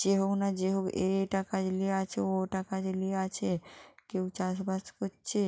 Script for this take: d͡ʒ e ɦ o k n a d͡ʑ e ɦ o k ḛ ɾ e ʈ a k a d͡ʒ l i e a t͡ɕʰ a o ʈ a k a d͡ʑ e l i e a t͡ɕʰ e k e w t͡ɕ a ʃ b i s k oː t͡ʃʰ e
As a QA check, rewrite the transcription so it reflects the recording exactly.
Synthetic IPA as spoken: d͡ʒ e ɦ o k n a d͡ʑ e ɦ o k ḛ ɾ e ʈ a k a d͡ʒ l i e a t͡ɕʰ e o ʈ a k a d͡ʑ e l i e a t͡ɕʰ e k e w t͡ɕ a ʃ b a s k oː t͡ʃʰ e

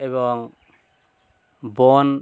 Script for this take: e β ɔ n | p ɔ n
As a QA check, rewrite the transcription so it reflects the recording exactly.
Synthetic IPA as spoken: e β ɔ ŋ | b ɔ n

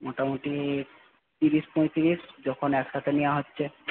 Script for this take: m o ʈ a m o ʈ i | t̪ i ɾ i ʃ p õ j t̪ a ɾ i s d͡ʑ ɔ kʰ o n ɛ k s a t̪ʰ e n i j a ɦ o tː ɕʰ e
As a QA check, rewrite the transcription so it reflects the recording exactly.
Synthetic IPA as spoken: m o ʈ a m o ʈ i | t̪ i ɾ i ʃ p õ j t̪ i ɾ i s d͡ʑ ɔ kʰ o n ɛ k ʃ a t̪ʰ e n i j a ɦ o tː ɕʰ e

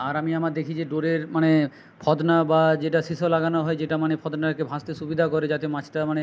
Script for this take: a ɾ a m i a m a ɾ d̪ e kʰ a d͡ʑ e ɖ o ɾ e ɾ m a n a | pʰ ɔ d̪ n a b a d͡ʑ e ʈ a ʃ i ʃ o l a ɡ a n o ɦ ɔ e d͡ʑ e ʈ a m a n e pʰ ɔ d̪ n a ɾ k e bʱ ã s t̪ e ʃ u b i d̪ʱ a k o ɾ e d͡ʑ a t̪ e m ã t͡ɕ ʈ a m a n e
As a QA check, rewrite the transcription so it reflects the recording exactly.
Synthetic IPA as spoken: a ɾ a m i a m a ɾ d̪ e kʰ i d͡ʑ e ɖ o ɾ e ɾ m a n e | pʰ ɔ d̪ n a b a d͡ʑ e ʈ a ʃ i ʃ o l a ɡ a n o ɦ ɔ e d͡ʑ e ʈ a m a n e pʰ ɔ d̪ n a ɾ k e bʱ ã s t̪ e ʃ u b i d̪ʱ a k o ɾ e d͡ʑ a t̪ e m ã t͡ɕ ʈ a m a n e

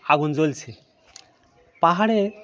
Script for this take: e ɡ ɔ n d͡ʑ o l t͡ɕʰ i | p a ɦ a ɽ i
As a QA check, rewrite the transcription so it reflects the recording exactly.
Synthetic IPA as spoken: a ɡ u n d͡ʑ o l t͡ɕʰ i | p a ɦ a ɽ e

